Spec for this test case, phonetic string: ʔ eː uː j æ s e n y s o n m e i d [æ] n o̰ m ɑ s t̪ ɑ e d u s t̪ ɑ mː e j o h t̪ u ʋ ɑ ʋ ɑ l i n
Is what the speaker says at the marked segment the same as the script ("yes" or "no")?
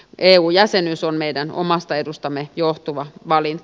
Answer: yes